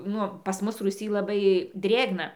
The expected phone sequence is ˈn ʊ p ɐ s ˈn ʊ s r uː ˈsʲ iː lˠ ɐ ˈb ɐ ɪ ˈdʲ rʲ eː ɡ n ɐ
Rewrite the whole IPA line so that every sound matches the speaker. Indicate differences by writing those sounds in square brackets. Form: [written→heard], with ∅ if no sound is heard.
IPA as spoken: ˈn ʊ p ɐ s [ˈn→ˈm] ʊ s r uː ˈsʲ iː lˠ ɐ ˈb ɐ ɪ ˈdʲ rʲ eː ɡ n ɐ